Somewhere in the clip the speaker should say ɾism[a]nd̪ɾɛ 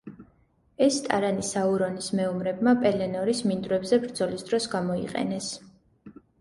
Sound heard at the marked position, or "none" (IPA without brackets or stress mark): i